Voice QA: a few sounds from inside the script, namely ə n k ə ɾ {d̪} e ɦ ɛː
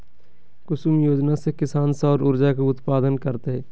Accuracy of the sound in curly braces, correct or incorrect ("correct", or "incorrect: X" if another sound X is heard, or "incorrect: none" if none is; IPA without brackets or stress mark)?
incorrect: t̪